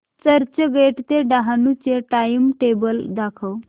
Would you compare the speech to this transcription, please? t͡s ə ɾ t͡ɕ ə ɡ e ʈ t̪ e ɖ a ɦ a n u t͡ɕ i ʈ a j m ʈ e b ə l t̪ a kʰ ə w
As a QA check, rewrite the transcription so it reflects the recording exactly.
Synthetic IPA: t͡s ə ɾ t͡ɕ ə ɡ e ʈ t̪ e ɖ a ɦ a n u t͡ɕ e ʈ a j m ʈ e b ə l d̪ a kʰ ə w